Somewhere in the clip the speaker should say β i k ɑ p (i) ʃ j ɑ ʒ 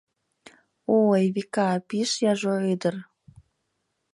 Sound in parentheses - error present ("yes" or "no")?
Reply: no